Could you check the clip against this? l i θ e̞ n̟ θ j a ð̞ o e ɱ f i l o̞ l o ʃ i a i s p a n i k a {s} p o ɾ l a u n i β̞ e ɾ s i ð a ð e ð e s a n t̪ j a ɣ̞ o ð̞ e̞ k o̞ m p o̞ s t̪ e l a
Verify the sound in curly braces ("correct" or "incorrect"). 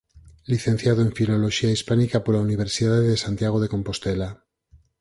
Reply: incorrect